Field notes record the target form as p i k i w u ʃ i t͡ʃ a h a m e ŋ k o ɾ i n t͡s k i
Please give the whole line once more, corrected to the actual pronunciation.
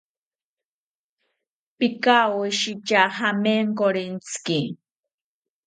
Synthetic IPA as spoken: p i k a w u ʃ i t͡ʃ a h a m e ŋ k o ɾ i n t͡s k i